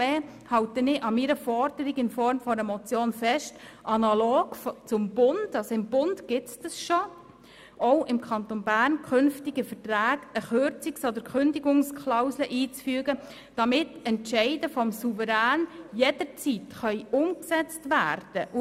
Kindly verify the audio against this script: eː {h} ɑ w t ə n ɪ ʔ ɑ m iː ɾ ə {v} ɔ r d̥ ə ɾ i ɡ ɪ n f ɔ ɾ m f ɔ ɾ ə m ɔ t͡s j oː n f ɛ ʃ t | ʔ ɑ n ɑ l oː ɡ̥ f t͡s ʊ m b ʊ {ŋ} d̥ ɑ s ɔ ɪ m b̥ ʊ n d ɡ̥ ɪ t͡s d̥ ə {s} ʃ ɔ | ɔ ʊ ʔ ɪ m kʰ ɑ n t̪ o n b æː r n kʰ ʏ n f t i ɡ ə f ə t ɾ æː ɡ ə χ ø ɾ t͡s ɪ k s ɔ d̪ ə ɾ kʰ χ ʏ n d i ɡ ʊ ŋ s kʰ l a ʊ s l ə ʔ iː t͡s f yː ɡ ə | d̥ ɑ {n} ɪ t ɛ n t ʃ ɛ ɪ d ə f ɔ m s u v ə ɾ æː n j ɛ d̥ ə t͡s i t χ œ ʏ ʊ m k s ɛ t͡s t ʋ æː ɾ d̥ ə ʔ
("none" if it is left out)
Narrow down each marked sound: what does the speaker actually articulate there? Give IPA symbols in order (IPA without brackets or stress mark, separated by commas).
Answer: h, f, n, s, m